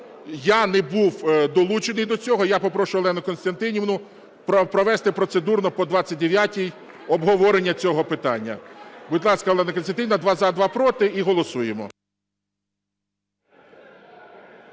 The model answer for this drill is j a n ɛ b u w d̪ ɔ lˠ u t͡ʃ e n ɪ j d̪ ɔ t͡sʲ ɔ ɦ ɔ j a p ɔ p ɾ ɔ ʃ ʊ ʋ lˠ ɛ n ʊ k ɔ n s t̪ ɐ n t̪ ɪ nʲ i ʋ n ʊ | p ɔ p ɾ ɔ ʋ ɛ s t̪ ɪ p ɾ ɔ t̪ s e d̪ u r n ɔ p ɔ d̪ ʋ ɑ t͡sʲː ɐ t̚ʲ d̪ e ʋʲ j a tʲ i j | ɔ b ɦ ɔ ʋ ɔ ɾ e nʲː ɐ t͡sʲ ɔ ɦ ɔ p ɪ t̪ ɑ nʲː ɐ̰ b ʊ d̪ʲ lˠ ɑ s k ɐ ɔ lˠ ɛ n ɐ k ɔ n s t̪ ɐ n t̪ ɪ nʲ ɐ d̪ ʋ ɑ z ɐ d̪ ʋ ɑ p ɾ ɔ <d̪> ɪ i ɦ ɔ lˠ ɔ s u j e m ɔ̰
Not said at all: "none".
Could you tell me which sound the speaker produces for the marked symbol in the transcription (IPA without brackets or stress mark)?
t̪